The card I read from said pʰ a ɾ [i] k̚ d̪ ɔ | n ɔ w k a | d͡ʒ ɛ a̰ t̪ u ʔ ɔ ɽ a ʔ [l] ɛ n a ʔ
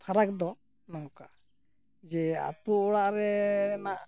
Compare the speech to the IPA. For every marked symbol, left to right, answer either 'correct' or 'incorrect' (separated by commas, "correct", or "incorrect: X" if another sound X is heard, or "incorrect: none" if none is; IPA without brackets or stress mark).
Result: incorrect: a, incorrect: ɾ